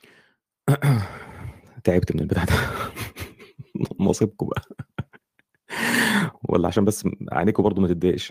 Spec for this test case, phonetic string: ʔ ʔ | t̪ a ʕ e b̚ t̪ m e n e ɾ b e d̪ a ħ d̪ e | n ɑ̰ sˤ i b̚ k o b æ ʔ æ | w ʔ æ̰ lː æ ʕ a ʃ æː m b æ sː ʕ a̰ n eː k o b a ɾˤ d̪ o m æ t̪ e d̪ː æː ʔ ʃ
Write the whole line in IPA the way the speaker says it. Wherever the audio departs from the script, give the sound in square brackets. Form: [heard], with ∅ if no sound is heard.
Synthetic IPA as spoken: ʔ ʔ | t̪ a ʕ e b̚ t̪ m e n e [l] b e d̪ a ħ d̪ [æ] | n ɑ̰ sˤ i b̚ k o b æ ʔ æ | w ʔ æ̰ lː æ ʕ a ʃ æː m b æ sː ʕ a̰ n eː k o b [ɑ] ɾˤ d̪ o m æ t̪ e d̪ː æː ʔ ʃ